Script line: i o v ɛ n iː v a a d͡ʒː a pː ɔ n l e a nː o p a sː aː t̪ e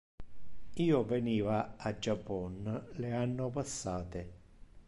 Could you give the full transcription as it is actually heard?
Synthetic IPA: iː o v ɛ n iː v a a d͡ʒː a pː ɔ n l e a nː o p a sː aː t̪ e